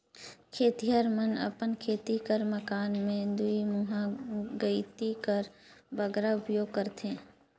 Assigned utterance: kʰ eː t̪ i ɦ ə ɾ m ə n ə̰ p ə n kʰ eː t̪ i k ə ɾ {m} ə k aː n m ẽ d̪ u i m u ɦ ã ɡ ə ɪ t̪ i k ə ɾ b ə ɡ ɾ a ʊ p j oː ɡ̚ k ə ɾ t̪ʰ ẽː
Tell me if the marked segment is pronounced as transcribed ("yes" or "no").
yes